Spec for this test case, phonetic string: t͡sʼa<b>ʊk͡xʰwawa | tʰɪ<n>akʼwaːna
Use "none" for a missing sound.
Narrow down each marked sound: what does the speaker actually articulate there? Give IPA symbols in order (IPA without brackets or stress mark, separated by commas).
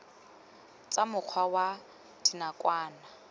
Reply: m, n